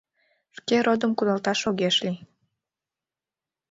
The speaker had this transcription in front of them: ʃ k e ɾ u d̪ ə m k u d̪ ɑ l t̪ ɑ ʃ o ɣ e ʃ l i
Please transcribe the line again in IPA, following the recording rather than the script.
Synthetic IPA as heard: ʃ k e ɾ o d̪ ə m k u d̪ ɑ l t̪ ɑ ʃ o ɣ e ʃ l i